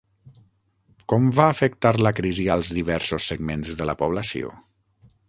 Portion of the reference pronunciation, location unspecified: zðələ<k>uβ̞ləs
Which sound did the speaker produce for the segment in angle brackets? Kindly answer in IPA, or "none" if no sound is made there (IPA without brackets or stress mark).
p